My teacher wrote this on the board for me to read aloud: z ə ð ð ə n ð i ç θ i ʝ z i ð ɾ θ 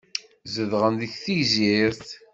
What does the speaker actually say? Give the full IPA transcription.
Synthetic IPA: z ə ð ʁ ə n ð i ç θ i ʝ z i ɾ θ